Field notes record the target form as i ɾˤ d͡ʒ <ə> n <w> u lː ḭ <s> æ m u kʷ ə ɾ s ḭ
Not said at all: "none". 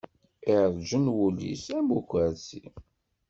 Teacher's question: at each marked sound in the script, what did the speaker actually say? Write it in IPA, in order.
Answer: ə, w, s

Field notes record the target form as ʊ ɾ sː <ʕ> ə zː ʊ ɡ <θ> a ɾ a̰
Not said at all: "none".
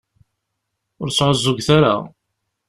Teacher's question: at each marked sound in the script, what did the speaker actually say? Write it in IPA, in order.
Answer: ʕ, θ

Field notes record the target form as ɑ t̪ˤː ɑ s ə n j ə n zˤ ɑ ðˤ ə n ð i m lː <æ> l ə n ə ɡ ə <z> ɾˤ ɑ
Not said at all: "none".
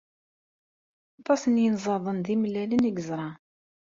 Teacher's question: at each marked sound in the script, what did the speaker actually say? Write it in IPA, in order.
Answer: æ, z

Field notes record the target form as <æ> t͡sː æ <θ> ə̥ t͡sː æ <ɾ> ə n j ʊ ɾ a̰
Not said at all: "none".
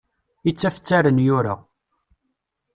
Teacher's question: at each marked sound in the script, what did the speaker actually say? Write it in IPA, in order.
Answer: i, f, ɾ

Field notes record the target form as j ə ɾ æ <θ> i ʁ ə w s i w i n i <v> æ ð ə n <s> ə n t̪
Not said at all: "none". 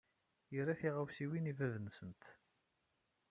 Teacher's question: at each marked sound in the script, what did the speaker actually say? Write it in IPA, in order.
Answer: θ, v, s

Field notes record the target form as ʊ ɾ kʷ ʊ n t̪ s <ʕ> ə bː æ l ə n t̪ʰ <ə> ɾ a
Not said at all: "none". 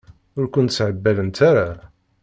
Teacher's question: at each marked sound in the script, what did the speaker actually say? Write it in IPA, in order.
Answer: ʕ, a

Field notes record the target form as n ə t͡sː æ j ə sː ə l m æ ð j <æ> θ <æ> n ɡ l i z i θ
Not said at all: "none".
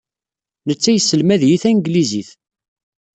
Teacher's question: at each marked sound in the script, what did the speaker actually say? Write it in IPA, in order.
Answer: i, æ

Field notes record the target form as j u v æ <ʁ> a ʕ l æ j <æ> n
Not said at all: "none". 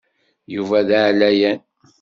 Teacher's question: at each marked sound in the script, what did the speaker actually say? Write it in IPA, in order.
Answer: ð, æ

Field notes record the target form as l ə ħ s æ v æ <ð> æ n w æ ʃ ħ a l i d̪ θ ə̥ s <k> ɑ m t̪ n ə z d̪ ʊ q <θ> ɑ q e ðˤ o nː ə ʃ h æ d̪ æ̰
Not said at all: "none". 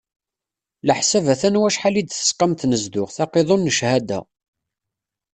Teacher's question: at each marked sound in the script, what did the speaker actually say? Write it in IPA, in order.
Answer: θ, q, θ

